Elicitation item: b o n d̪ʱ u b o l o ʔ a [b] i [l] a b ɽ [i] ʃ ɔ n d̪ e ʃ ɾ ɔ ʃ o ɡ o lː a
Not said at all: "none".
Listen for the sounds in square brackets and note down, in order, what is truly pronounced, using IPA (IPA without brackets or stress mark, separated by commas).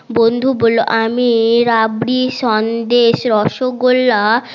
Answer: m, ɾ, i